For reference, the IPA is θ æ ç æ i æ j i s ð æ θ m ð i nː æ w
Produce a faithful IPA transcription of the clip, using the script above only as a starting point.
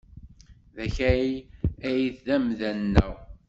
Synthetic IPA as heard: ð æ ç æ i æ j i θ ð æ m ð æ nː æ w